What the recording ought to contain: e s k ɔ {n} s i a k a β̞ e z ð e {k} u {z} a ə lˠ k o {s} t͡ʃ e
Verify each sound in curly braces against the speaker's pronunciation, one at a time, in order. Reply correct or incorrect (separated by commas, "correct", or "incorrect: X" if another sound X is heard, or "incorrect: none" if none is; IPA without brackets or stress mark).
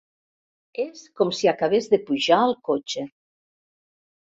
incorrect: m, incorrect: p, incorrect: ʒ, incorrect: none